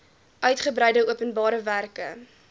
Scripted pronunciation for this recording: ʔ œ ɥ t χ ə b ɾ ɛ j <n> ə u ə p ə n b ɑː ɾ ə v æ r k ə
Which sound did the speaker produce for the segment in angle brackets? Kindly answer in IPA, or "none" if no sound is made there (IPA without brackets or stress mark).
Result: d